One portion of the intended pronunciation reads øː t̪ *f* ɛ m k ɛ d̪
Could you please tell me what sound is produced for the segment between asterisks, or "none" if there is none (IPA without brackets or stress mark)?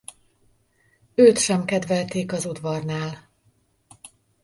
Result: ʃ